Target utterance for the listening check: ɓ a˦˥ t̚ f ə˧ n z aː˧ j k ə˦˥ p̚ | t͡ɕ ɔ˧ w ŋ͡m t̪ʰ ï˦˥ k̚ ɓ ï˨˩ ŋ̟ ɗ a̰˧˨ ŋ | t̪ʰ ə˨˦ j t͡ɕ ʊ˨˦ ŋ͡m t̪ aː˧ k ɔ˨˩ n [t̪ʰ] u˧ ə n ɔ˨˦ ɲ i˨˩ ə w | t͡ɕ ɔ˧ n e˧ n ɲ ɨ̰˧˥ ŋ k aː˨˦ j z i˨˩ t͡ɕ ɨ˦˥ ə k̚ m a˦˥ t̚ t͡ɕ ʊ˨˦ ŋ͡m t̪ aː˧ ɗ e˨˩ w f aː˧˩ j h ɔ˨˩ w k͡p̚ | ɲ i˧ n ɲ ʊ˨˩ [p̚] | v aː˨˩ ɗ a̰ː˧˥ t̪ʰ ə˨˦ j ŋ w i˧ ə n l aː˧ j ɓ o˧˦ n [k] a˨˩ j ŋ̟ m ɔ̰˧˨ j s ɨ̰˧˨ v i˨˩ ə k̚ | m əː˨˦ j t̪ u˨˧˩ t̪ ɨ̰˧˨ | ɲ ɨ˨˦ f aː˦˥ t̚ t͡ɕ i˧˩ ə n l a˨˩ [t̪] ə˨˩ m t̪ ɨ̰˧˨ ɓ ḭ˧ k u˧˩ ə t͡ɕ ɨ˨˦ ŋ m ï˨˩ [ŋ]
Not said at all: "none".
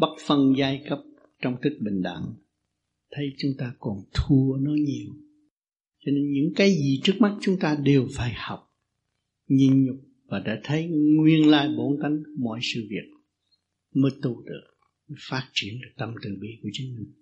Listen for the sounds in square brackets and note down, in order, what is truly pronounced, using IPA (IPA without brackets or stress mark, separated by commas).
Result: t̪ʰ, k͡p̚, k, t̪, ŋ